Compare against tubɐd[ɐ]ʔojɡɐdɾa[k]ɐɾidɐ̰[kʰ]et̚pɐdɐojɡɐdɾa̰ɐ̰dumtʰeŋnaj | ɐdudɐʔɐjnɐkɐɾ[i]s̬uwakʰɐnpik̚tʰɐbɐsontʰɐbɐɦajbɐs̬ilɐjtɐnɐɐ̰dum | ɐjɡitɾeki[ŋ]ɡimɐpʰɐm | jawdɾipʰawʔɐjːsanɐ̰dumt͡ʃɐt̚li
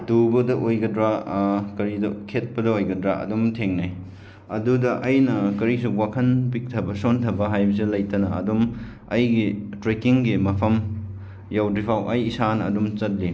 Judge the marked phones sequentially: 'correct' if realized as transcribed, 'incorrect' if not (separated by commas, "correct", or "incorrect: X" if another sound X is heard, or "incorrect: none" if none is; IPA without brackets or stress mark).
correct, correct, correct, correct, correct